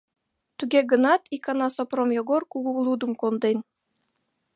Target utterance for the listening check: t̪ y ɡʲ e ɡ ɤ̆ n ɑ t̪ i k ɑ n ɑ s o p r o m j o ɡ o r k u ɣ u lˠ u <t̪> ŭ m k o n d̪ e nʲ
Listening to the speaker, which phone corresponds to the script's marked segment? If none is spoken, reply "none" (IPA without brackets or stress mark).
d̪